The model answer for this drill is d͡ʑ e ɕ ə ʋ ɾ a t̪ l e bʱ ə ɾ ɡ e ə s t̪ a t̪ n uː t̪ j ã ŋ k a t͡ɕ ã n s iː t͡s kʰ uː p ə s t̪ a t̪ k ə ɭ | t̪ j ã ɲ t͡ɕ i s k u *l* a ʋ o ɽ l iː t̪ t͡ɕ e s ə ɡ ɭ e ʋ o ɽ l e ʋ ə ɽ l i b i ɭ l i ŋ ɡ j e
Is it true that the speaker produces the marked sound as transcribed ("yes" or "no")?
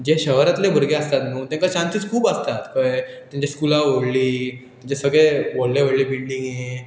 yes